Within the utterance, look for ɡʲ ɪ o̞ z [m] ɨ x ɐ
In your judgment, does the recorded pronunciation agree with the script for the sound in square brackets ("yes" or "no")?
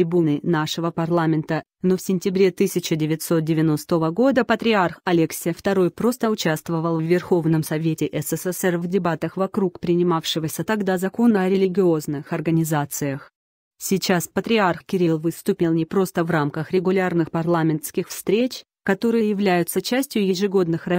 no